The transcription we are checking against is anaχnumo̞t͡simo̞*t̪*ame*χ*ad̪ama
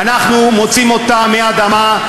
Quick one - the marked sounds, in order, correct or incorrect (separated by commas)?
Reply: correct, incorrect